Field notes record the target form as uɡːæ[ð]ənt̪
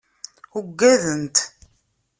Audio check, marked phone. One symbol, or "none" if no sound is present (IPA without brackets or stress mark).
ð